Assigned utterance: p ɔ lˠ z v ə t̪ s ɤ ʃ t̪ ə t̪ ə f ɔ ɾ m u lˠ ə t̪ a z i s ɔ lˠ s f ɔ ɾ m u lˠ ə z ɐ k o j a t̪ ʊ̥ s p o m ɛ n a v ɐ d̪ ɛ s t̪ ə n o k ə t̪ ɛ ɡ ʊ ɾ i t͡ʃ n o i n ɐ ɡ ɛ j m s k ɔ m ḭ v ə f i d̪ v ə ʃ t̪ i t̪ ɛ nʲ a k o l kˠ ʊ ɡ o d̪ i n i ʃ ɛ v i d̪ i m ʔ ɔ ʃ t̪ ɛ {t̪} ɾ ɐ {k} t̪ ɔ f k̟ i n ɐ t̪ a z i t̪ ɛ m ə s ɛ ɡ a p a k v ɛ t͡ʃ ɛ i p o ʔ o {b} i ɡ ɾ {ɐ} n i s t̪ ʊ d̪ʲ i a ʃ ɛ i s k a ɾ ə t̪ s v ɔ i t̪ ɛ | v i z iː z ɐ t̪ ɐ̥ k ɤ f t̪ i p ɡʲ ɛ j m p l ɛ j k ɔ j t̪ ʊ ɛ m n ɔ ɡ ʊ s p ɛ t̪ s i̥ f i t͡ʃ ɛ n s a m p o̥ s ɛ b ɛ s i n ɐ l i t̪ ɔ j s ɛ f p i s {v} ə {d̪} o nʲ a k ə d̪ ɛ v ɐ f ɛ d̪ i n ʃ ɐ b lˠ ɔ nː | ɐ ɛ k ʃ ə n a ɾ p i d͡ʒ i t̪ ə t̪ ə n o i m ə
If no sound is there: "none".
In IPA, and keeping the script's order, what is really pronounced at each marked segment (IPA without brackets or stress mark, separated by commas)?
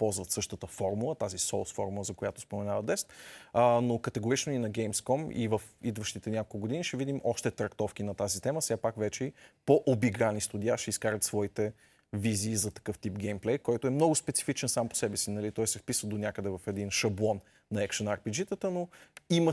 t̪, k, b, a, v, d̪